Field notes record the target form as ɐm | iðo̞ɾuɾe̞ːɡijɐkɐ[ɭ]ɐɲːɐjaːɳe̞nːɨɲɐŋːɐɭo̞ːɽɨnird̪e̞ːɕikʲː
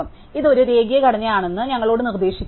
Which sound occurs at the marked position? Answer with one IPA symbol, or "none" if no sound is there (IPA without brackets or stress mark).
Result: ɽ